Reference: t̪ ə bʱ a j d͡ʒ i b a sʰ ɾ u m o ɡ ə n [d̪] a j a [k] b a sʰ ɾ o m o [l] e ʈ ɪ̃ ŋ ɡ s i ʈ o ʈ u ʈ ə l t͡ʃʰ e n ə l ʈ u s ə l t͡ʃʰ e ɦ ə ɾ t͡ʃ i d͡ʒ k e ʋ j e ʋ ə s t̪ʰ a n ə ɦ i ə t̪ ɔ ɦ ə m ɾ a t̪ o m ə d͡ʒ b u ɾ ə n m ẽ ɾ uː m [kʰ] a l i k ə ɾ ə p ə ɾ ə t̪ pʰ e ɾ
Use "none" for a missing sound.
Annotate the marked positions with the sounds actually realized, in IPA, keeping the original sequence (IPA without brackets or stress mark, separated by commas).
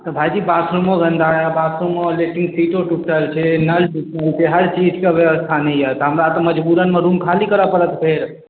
d̪, none, l, kʰ